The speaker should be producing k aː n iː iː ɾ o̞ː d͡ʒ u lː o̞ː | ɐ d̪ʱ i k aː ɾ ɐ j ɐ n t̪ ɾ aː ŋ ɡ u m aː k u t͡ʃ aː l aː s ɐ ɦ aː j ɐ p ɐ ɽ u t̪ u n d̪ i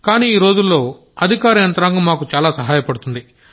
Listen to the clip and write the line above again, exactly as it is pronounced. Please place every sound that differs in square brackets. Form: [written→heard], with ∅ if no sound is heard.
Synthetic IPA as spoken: k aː n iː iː ɾ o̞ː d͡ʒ u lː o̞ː | ɐ d̪ʱ i k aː ɾ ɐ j ɐ n t̪ ɾ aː ŋ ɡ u m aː k u t͡ʃ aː l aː s ɐ ɦ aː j ɐ p ɐ ɽ u t̪ u n d̪ i